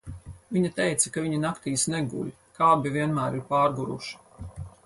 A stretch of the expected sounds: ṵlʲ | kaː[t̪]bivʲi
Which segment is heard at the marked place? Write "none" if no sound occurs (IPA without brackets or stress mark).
none